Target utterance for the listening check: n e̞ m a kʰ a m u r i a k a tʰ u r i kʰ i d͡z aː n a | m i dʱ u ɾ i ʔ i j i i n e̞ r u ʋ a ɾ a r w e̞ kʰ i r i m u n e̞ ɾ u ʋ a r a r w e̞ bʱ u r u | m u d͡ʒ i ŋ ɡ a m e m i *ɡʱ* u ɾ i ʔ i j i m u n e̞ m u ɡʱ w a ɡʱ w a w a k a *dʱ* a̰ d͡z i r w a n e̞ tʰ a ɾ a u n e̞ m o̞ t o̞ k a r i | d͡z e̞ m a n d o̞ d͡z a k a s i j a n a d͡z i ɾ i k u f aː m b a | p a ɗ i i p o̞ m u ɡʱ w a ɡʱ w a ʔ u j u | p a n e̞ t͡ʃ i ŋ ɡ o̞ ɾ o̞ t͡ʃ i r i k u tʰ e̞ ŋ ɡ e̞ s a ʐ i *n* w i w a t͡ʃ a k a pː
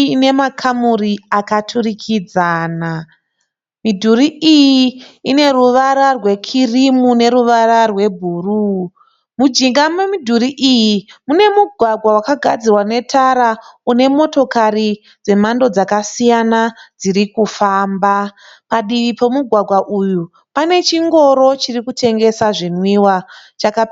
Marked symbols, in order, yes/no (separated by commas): no, no, yes